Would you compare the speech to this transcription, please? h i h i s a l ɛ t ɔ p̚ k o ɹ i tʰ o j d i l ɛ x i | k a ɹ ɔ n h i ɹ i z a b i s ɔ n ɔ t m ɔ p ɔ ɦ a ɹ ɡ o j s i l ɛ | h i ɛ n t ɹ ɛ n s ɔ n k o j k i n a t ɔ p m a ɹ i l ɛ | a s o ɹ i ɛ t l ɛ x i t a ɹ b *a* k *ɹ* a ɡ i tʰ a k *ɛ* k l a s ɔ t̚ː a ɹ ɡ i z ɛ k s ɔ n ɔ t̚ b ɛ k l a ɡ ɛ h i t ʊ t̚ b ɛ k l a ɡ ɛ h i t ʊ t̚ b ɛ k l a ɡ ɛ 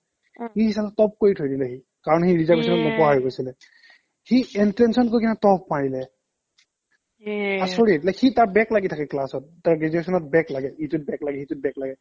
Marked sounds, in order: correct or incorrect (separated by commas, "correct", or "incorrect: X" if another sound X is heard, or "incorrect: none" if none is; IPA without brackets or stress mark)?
incorrect: ɛ, incorrect: l, correct